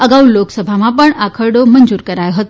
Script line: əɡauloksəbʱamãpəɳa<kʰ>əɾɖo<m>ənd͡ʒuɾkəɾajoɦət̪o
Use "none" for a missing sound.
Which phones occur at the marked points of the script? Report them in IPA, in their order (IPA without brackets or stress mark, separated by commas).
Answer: kʰ, m